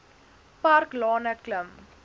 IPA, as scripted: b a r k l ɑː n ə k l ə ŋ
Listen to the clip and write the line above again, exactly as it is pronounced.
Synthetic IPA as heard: p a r k l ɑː n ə k l ə m